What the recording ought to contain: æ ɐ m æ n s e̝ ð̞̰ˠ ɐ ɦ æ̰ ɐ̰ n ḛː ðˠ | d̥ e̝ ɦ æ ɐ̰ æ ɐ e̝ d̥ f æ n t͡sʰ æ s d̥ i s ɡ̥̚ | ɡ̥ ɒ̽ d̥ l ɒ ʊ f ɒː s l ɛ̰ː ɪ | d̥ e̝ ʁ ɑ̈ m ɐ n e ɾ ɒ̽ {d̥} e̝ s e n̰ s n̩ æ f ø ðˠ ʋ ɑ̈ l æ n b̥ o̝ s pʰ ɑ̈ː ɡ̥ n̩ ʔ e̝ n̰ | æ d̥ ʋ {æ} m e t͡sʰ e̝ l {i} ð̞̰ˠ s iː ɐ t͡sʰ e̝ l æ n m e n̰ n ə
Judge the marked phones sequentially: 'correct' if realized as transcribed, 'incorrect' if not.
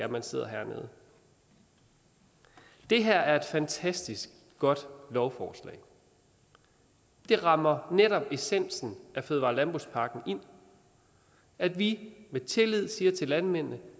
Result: incorrect, incorrect, correct

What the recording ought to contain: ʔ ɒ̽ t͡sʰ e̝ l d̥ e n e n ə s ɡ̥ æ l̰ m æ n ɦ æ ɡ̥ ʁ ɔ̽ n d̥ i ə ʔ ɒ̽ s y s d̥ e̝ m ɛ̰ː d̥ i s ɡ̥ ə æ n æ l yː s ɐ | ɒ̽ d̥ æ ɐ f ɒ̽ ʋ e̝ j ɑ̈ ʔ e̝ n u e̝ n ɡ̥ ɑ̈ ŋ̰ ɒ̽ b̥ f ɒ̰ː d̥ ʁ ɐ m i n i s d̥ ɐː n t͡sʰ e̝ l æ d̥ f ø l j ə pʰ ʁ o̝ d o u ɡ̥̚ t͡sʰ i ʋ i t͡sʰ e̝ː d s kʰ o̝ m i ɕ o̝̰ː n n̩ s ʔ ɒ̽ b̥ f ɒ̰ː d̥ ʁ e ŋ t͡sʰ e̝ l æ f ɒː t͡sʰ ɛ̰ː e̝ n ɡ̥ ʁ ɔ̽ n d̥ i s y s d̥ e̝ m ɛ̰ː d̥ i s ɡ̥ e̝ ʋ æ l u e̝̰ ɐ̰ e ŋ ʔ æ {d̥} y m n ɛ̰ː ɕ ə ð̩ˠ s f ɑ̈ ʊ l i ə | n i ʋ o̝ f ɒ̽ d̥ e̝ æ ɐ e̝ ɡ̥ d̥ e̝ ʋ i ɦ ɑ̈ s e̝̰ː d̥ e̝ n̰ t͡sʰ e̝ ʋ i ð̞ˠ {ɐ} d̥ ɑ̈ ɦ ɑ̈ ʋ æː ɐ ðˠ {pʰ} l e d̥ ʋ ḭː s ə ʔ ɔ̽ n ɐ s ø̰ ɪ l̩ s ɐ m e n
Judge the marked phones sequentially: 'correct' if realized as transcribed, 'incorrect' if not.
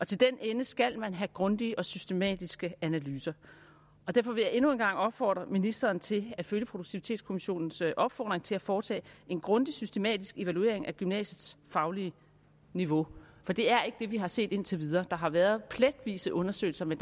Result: incorrect, incorrect, correct

